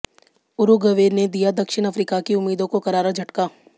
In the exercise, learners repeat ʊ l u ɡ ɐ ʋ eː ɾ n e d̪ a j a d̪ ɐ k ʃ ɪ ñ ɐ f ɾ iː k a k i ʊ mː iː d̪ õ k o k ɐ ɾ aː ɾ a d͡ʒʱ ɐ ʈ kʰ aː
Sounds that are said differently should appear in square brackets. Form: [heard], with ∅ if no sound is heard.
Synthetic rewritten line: ʊ [ɾ] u ɡ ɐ ʋ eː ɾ n e d̪ [i] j a d̪ ɐ k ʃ ɪ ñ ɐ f ɾ iː k a k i ʊ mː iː d̪ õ k o k ɐ ɾ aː ɾ a d͡ʒʱ ɐ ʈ [k] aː

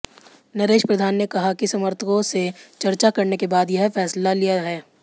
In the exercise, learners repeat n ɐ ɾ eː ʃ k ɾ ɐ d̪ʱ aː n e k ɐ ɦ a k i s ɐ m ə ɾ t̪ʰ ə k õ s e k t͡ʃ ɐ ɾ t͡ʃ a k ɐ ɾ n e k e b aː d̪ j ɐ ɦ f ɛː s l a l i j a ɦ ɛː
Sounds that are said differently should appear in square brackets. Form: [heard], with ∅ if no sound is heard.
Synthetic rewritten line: n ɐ ɾ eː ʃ [p] ɾ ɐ d̪ʱ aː [nː] e k ɐ ɦ a k i s ɐ m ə ɾ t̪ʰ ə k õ s e [∅] t͡ʃ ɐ ɾ t͡ʃ a k ɐ ɾ n e k e b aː d̪ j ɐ ɦ f ɛː s l a l i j a ɦ ɛː

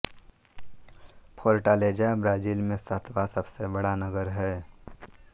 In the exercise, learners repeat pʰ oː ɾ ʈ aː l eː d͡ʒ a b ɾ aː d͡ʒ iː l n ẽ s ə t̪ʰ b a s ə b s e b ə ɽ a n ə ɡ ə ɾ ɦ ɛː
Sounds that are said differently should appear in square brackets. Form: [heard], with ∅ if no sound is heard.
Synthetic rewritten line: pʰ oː ɾ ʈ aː l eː d͡ʒ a b ɾ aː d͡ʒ iː l [m] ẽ s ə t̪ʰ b a s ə b s e b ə ɽ a n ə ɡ ə ɾ ɦ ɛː

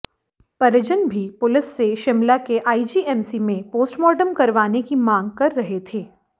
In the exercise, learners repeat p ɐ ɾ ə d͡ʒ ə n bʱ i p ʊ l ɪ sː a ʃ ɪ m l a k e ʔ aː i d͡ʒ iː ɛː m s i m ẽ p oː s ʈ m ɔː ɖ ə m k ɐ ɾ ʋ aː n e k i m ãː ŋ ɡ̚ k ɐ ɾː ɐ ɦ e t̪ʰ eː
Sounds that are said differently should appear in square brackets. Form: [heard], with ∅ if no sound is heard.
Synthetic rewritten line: p ɐ ɾ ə d͡ʒ ə n bʱ i p ʊ l ɪ sː [e] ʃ ɪ m l a k e ʔ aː i d͡ʒ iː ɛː m s i m ẽ p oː s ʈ m ɔː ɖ ə m k ɐ ɾ ʋ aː n e k i m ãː ŋ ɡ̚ k ɐ ɾː ɐ ɦ e t̪ʰ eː

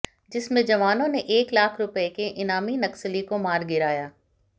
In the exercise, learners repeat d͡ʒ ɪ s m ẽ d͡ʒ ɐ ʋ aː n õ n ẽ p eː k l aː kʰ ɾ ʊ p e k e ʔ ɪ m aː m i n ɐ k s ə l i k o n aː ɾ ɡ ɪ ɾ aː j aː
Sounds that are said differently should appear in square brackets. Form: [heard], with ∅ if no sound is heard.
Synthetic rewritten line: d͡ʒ ɪ s m ẽ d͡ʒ ɐ ʋ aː n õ n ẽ [ʔ] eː k l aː kʰ ɾ ʊ p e k e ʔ ɪ [n] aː m i n ɐ k s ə l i k o [m] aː ɾ ɡ ɪ ɾ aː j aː

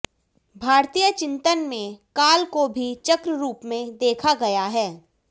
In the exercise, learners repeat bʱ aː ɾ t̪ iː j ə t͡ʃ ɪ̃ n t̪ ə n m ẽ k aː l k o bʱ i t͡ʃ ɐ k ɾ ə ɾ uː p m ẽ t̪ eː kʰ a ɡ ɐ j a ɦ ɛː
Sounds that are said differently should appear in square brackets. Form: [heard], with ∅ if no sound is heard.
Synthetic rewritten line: bʱ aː ɾ t̪ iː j ə t͡ʃ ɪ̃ n t̪ ə n m ẽ k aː l k o bʱ i t͡ʃ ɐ k ɾ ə ɾ uː p m ẽ [d̪] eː kʰ a ɡ ɐ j a ɦ ɛː

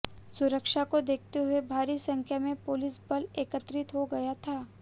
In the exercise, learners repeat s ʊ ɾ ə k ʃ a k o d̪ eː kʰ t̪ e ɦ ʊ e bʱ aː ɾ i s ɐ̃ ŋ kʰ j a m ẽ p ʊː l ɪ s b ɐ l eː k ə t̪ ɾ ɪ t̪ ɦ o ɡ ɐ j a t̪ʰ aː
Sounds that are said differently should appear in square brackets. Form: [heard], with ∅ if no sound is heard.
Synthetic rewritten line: s ʊ ɾ ə k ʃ a k o d̪ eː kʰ t̪ e ɦ ʊ e bʱ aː ɾ i s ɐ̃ ŋ kʰ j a m ẽ p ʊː l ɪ s b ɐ l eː k ə t̪ ɾ ɪ t̪ ɦ o ɡ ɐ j a t̪ʰ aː

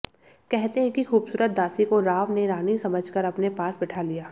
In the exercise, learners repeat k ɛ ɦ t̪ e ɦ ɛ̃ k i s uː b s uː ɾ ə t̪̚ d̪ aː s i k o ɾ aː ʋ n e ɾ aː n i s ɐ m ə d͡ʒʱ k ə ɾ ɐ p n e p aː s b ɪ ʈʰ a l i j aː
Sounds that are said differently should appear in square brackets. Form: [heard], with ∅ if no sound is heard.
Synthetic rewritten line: k ɛ ɦ t̪ e ɦ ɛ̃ k i [x] uː b s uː ɾ ə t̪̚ d̪ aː s i k o ɾ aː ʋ n e ɾ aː n i s ɐ m ə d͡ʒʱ k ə ɾ ɐ p n e p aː s b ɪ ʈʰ a l i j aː

